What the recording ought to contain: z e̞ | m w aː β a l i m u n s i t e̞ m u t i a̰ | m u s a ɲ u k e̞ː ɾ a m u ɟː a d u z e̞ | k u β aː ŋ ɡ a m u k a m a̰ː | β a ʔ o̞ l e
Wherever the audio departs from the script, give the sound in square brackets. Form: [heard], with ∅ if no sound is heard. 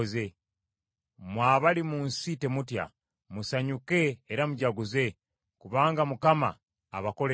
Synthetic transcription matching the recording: z e̞ | m w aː β a l i m u n s i t e̞ m u t [j] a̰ | m u s a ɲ u k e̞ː ɾ a m u [ɟ] a [ɡ] u z e̞ | k u β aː ŋ ɡ a m u k a m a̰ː | β a [k] o̞ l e